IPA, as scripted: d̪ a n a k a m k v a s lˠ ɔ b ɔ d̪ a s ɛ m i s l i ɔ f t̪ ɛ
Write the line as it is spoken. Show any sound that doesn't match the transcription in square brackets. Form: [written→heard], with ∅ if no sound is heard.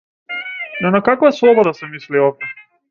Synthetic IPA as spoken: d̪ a n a k a [m→∅] k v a s lˠ ɔ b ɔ d̪ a s ɛ m i s l i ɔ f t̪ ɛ

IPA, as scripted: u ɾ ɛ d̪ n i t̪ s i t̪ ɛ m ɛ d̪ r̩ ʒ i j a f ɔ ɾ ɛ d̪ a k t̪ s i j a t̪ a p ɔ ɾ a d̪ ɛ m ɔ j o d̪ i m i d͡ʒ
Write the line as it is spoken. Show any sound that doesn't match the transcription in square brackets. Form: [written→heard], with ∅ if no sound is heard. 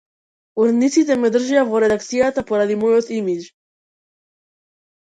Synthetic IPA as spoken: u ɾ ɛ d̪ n i t̪ s i t̪ ɛ m ɛ d̪ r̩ ʒ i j a [f→v] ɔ ɾ ɛ d̪ a k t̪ s i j a t̪ a p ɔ ɾ a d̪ [ɛ→i] m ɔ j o [d̪→t̪] i m i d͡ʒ

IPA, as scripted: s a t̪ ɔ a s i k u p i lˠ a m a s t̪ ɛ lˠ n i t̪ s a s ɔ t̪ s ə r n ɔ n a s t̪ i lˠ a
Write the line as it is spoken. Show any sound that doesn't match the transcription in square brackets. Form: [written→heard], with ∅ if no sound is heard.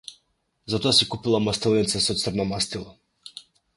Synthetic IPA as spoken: [s→z] a t̪ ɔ a s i k u p i lˠ a m a s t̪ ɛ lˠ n i t̪ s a s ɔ t̪ s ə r n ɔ [n→m] a s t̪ i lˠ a

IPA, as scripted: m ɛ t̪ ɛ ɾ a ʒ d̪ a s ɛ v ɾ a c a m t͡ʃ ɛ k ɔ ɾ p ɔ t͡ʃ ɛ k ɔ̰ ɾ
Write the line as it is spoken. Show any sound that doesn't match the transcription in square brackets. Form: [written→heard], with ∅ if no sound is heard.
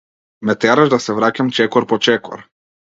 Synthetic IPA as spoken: m ɛ t̪ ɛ ɾ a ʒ d̪ a s ɛ v ɾ a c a m t͡ʃ ɛ k ɔ ɾ p ɔ t͡ʃ ɛ k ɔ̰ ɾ

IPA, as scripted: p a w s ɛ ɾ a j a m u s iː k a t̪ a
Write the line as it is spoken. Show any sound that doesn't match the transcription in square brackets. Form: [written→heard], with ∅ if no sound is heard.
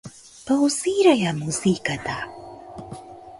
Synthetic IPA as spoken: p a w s [ɛ→i] ɾ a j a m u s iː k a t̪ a

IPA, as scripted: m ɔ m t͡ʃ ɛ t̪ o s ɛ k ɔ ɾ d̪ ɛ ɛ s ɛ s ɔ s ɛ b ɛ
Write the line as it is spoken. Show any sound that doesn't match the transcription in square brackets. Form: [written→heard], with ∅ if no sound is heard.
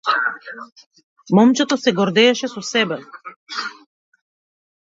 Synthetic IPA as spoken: m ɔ m t͡ʃ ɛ t̪ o s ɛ [k→ɡ] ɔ ɾ d̪ ɛ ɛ [s→ʃ] ɛ s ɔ s ɛ b ɛ

